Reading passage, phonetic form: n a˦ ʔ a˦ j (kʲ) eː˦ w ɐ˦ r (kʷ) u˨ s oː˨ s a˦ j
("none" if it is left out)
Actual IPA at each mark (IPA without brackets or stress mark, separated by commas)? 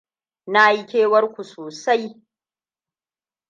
kʲ, kʷ